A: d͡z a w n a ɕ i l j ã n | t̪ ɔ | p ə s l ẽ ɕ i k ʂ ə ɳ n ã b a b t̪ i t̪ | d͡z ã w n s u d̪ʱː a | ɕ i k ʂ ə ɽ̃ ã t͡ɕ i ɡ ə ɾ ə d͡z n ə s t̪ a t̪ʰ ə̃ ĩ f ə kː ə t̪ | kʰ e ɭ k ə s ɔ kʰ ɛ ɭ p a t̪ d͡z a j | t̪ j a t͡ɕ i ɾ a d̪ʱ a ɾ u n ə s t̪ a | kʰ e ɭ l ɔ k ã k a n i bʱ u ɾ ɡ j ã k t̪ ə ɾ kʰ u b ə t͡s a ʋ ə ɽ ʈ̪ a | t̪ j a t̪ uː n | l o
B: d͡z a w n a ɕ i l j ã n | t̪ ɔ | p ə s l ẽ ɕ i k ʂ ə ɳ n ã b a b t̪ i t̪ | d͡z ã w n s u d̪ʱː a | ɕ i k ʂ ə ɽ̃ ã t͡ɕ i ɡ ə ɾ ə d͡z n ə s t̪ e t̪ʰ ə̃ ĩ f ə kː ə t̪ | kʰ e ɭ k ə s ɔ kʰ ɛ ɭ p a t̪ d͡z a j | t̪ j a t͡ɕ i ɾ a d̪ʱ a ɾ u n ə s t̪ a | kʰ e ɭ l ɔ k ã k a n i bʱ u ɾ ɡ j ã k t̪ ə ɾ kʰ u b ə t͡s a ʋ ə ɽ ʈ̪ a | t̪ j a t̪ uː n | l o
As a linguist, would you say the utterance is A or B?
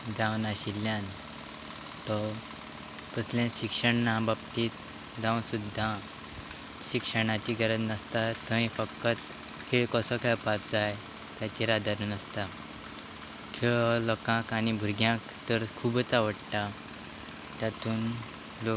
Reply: A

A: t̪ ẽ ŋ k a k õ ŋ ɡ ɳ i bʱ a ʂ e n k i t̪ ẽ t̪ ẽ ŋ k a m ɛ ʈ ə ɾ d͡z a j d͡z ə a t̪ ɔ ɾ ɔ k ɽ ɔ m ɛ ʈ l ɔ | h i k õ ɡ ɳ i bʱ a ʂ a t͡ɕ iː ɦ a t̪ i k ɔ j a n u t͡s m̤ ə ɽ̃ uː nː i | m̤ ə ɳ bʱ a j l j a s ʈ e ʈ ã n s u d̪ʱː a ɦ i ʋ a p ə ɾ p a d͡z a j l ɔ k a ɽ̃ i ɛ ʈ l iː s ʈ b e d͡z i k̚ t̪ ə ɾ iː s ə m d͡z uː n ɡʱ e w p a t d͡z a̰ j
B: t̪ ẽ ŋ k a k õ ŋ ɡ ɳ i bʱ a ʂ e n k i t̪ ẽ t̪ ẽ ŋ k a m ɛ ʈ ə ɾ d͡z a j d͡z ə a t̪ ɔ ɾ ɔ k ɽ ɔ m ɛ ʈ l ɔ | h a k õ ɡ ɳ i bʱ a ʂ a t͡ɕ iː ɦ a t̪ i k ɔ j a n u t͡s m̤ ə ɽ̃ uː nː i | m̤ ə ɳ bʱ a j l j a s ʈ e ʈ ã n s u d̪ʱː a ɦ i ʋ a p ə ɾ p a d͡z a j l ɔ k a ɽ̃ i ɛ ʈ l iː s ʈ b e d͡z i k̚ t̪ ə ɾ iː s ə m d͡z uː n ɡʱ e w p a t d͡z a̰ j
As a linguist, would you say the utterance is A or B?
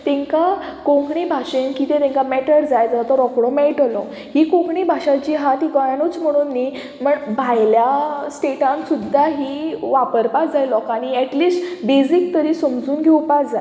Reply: A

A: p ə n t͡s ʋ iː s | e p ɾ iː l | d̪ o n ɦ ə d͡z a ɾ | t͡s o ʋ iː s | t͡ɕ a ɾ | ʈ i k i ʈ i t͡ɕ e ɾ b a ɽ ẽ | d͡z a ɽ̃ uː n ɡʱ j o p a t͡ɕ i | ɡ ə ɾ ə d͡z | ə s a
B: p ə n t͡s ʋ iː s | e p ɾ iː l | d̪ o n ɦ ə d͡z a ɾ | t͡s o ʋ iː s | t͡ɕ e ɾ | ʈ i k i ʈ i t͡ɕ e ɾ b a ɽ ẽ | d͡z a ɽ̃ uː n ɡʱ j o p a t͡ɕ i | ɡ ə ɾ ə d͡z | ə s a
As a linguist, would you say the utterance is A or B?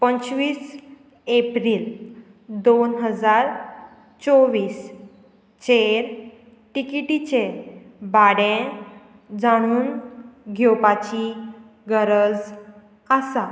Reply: B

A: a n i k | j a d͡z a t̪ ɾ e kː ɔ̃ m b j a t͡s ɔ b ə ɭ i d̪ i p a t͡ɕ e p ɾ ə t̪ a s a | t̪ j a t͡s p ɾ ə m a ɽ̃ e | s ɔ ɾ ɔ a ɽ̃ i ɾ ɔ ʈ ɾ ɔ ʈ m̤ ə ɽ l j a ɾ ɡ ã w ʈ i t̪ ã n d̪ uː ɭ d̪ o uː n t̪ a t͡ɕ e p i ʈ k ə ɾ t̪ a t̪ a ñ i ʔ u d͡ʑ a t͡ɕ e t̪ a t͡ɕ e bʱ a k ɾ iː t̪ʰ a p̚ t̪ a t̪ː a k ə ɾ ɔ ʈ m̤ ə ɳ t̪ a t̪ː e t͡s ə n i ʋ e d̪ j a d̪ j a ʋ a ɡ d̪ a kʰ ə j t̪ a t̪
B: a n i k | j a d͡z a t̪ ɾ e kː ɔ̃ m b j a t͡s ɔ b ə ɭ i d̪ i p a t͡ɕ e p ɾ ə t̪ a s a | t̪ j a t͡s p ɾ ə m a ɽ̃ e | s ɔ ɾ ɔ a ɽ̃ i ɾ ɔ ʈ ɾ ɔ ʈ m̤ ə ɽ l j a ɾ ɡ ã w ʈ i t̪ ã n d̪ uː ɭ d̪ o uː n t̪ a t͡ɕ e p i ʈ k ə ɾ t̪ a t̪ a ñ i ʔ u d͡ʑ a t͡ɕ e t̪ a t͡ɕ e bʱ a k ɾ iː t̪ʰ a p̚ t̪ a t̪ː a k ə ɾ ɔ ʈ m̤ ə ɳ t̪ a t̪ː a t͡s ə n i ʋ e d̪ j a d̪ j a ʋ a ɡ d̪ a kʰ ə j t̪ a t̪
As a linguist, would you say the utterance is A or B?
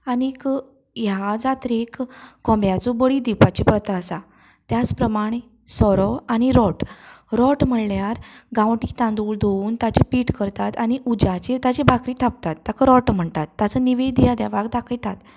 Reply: B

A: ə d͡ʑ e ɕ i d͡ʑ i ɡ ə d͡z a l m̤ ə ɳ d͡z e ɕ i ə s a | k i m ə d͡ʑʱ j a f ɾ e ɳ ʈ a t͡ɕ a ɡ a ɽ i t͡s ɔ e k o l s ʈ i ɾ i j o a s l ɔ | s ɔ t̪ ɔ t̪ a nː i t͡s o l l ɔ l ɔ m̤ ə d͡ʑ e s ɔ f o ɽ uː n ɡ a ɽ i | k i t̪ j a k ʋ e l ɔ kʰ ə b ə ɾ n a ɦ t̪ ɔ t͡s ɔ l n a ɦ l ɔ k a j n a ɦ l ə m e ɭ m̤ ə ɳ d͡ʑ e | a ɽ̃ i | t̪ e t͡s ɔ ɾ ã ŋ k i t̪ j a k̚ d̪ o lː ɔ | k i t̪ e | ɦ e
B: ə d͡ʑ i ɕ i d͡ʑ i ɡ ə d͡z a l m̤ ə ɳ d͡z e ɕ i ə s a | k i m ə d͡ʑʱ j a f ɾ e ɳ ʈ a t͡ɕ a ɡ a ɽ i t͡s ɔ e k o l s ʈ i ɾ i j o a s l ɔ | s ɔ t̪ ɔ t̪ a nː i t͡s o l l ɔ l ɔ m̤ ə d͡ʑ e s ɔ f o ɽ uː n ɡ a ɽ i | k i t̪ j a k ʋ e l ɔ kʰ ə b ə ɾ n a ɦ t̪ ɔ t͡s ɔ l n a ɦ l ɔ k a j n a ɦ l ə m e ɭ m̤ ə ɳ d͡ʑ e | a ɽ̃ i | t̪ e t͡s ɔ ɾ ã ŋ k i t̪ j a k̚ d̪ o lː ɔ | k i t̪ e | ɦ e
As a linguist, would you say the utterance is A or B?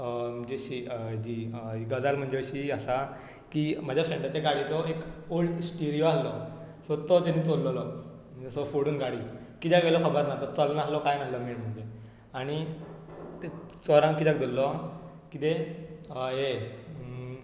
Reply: A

